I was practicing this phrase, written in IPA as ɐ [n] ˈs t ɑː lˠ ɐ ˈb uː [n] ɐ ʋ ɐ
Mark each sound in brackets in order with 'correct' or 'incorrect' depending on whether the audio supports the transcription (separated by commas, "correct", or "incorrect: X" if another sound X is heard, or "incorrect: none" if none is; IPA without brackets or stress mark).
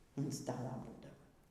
correct, incorrect: d